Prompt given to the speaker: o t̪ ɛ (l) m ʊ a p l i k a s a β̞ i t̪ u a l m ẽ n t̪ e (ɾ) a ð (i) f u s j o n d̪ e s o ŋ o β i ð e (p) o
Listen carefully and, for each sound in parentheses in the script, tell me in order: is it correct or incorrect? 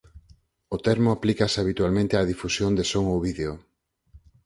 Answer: incorrect, incorrect, correct, incorrect

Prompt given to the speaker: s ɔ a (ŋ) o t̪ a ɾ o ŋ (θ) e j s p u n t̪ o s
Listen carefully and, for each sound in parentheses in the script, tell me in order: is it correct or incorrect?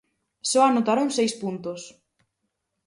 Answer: incorrect, incorrect

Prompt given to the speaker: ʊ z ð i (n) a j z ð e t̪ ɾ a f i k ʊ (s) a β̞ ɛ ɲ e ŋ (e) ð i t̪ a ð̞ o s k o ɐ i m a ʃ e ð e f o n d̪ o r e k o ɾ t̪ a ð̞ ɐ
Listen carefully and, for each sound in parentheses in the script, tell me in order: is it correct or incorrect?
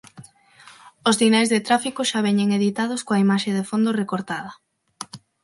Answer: correct, incorrect, correct

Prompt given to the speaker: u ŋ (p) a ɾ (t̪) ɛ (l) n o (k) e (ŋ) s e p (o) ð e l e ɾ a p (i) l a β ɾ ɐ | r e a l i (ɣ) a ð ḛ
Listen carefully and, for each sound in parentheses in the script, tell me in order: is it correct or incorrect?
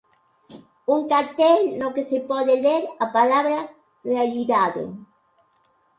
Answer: incorrect, correct, correct, correct, incorrect, incorrect, incorrect, incorrect

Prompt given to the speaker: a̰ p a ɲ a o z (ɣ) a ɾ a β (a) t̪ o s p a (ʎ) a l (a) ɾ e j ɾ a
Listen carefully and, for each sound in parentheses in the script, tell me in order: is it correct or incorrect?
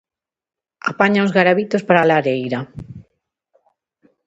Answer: correct, incorrect, incorrect, correct

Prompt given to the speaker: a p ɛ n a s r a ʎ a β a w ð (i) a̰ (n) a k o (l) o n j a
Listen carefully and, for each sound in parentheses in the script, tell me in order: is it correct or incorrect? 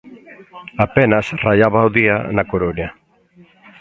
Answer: correct, correct, incorrect

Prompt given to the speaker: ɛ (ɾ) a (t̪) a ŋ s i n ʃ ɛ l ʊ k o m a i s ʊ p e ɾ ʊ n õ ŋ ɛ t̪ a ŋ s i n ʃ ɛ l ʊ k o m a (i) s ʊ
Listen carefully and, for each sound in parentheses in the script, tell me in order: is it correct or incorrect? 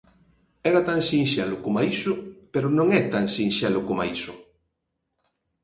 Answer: correct, correct, correct

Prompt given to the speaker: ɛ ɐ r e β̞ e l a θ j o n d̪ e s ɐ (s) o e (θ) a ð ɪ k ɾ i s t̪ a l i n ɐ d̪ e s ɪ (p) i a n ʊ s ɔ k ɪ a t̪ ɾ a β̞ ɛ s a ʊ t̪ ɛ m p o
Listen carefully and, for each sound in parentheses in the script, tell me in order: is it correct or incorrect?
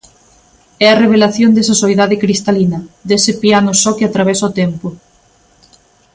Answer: correct, incorrect, correct

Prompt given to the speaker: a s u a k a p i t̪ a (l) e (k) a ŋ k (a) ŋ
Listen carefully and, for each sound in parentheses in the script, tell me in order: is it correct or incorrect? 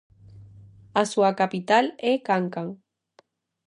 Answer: correct, correct, correct

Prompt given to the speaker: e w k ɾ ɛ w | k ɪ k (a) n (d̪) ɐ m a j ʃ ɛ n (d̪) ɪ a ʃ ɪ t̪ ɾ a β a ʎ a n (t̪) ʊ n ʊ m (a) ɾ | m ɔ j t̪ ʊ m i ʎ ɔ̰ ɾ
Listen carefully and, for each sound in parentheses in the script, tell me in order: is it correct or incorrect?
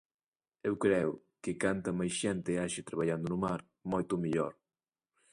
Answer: correct, incorrect, incorrect, incorrect, correct

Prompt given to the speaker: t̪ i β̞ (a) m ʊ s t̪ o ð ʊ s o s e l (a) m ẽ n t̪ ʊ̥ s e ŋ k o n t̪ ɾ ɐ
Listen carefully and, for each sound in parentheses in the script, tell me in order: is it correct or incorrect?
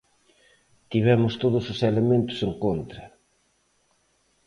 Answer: incorrect, incorrect

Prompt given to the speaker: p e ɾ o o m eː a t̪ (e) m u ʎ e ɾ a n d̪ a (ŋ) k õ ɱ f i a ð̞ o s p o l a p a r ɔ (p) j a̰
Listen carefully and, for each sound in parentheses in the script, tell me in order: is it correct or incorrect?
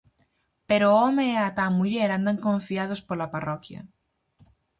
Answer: incorrect, correct, incorrect

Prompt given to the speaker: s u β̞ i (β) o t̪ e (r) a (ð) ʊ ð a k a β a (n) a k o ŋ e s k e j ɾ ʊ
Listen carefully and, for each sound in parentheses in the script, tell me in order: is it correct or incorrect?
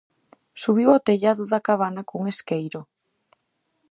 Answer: incorrect, incorrect, correct, correct

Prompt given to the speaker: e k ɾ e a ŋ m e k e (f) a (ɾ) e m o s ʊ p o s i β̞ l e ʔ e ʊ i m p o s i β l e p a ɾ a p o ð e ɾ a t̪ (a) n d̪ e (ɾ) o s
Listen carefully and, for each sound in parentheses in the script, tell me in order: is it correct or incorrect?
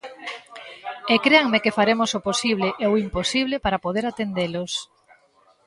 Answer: correct, correct, incorrect, incorrect

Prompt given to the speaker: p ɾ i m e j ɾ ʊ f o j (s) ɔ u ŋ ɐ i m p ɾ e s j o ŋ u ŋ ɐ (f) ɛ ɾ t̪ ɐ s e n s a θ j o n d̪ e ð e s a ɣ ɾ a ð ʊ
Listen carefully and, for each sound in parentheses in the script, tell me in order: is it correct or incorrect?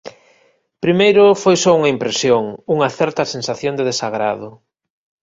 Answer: correct, incorrect

